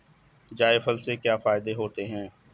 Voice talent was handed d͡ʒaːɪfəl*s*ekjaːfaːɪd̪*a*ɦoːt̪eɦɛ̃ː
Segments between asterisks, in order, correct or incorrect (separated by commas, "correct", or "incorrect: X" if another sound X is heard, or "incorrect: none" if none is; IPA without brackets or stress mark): correct, incorrect: e